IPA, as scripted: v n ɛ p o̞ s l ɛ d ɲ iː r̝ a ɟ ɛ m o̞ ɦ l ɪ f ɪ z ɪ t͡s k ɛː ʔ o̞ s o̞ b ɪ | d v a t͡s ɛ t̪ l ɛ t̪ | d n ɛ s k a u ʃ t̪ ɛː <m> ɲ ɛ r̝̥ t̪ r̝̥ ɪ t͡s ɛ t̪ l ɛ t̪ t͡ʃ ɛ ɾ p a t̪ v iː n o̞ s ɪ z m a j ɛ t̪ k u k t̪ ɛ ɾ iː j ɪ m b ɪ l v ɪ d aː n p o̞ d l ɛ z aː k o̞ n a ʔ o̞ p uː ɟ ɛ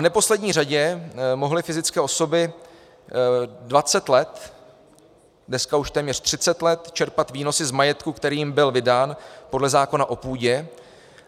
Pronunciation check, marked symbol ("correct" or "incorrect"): correct